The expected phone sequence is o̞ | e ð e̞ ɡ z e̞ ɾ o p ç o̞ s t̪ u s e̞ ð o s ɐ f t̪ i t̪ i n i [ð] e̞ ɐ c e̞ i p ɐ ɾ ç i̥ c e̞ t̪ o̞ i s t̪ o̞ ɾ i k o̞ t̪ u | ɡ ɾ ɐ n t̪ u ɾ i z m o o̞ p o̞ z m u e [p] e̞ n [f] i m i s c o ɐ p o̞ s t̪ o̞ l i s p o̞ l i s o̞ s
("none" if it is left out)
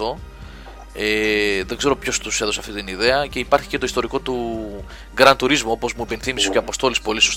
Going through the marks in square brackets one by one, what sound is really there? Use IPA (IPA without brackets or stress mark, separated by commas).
ð, p, θ